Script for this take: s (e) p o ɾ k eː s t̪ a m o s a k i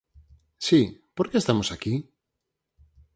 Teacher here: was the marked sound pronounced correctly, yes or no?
no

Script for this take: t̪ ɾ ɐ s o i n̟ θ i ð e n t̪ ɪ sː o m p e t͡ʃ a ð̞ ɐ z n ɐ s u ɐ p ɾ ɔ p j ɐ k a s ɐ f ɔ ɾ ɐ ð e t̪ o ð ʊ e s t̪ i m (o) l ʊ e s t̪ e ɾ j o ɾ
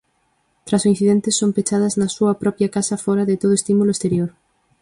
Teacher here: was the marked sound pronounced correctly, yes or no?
no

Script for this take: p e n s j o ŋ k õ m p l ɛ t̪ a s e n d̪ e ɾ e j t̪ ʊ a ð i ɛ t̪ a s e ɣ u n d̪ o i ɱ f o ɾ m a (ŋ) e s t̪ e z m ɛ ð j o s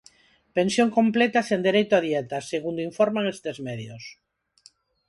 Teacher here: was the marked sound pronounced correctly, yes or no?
yes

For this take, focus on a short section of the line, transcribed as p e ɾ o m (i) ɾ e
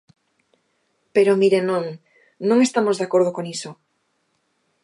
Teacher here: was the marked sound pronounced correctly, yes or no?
yes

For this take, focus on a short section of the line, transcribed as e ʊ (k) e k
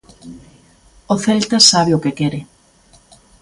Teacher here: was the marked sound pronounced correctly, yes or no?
yes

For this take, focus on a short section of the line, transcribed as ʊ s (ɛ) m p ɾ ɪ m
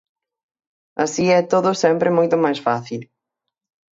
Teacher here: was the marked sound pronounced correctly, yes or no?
yes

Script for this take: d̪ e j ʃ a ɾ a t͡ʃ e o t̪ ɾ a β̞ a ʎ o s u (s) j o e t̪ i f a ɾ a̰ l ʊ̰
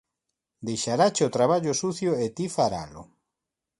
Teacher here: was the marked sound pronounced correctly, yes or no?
no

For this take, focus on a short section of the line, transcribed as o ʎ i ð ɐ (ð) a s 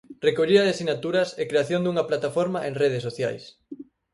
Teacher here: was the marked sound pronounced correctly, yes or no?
yes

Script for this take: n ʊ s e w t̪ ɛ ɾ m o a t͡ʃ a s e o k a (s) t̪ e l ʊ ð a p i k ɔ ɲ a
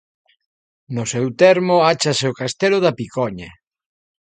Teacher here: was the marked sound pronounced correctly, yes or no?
yes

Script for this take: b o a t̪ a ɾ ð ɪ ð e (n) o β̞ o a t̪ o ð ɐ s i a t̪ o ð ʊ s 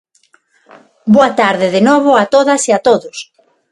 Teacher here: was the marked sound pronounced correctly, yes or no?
yes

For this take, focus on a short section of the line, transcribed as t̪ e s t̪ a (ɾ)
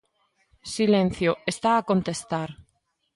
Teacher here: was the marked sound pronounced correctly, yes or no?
yes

